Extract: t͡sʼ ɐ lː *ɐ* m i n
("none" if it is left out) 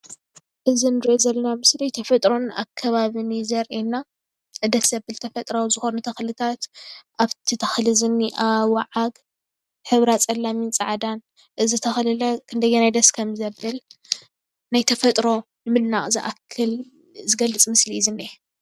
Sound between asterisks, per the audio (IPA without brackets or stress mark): a